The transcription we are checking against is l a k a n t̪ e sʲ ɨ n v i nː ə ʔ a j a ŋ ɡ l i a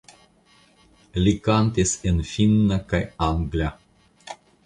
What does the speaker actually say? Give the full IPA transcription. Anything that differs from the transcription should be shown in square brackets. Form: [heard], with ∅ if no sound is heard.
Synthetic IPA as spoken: l [i] k a n t̪ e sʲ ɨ n [f] i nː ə [k] a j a ŋ ɡ l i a

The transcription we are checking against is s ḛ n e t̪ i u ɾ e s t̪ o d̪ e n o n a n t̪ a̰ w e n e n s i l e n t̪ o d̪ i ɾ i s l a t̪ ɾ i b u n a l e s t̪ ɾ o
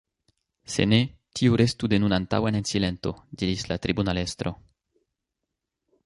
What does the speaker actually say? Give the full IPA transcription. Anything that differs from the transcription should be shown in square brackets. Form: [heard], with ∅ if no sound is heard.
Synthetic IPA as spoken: s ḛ n e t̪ i u ɾ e s t̪ [u] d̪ e n [u] n a n t̪ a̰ w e n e n s i l e n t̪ o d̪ i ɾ i s l a t̪ ɾ i b u n a l e s t̪ ɾ o

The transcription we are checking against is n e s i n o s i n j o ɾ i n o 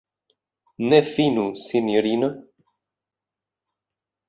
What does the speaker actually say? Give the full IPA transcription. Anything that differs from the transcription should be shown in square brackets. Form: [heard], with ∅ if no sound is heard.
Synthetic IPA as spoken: n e [f] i n [u] s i n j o ɾ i n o

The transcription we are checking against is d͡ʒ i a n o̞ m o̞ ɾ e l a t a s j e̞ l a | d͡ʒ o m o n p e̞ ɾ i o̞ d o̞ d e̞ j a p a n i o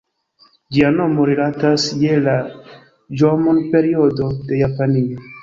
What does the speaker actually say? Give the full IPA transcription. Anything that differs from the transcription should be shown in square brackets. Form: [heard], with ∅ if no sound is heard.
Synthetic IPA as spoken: d͡ʒ i a n o̞ m o̞ ɾ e l a t a s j e̞ l a | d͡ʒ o m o n p e̞ ɾ i o̞ d o̞ d e̞ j a p a n i o

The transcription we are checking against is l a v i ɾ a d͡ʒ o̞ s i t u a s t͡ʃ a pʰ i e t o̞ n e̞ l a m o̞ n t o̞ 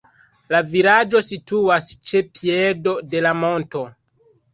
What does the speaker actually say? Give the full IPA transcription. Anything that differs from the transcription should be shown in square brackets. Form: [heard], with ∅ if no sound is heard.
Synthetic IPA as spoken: l a v i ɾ a d͡ʒ o̞ s i t u a s t͡ʃ [e] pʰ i e [d] o̞ [d] e̞ l a m o̞ n t o̞

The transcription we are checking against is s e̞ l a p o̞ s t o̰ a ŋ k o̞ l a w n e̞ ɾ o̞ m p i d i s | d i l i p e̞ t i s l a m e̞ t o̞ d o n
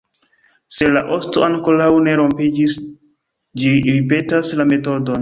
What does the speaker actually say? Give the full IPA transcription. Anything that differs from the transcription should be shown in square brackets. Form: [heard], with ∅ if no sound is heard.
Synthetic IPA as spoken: s e̞ l a [ʔ] o̞ s t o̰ a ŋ k o̞ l a w n e̞ ɾ o̞ m p i [d͡ʒ] i s | [d͡ʒ] i [ɾ] i p e̞ t [a] s l a m e̞ t o̞ d o n

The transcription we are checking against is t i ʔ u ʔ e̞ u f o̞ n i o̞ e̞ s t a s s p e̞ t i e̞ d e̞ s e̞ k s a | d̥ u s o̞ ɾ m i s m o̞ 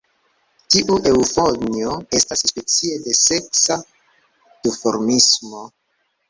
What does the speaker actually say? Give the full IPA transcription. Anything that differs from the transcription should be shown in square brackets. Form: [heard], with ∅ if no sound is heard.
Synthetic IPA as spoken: t i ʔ u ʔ e̞ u f o̞ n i o̞ e̞ s t a s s p e̞ [t͡s] i e̞ d e̞ s e̞ k s a | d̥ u [f] o̞ ɾ m i s m o̞

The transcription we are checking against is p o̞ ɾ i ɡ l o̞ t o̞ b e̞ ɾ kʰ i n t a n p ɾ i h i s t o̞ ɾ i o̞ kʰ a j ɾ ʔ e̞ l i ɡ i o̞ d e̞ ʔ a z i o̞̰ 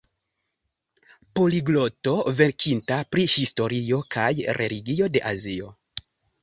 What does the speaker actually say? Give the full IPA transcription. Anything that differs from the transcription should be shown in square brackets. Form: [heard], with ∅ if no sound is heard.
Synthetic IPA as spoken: p o̞ [l] i ɡ l o̞ t o̞ [v] e̞ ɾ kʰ i n t a [∅] p ɾ i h i s t o̞ ɾ i o̞ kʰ a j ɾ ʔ e̞ l i ɡ i o̞ d e̞ ʔ a z i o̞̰

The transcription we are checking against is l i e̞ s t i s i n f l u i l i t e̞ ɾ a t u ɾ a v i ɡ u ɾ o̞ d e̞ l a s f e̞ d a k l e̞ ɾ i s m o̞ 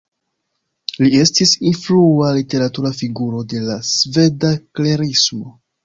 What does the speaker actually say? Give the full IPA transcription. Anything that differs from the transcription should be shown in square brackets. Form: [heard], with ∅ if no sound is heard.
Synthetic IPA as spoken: l i e̞ s t i s i n f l u [a] l i t e̞ ɾ a t u ɾ a [f] i ɡ u ɾ o̞ d e̞ l a s [v] e̞ d a k l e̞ ɾ i s m o̞

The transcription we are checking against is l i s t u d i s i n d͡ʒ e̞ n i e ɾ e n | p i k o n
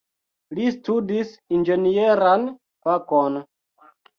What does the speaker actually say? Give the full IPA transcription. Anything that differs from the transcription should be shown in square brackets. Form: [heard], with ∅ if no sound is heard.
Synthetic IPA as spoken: l i s t u d i s i n d͡ʒ e̞ n i e ɾ [a] n | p [a] k o n

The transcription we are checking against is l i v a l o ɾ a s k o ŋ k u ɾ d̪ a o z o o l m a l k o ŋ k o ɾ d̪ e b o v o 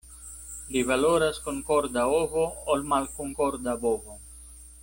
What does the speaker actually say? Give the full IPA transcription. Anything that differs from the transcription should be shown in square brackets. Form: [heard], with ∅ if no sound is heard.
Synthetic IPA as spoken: l i v a l o ɾ a s k o ŋ k [o] ɾ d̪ a o [v] o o l m a l k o ŋ k o ɾ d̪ [a] b o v o

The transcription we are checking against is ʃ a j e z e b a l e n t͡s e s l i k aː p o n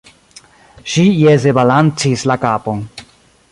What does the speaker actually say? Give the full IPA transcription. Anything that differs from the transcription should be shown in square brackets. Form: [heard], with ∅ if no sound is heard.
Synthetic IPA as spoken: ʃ [i] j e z e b a l [a] n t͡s [i] s l [a] k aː p o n

